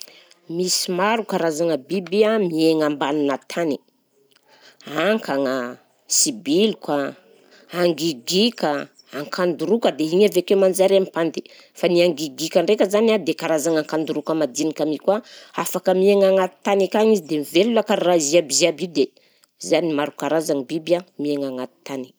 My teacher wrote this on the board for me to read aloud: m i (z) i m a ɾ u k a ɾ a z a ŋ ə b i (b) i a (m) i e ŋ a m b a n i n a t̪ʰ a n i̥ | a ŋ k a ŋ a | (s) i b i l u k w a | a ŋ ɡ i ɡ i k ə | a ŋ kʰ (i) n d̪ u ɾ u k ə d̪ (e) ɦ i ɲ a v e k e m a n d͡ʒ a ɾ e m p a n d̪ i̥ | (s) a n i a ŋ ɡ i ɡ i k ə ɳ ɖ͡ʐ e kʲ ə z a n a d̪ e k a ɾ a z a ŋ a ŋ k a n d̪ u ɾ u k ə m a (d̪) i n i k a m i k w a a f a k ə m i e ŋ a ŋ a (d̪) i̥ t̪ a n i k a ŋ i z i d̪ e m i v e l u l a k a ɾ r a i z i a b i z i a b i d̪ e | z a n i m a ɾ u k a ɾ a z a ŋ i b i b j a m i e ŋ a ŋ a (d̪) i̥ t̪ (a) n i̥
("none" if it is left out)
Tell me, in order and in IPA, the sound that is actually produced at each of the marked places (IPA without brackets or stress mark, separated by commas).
s, b, m, s, a, e, f, d̪, t̪, t̪, a